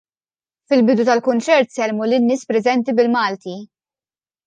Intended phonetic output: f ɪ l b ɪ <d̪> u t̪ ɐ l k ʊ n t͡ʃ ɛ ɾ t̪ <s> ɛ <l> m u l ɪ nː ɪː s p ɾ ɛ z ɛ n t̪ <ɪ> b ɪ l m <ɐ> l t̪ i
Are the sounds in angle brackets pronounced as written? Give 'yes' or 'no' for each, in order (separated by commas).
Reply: yes, yes, yes, no, no